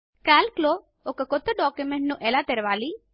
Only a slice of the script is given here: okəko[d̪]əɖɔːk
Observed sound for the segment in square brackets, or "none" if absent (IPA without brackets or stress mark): t̪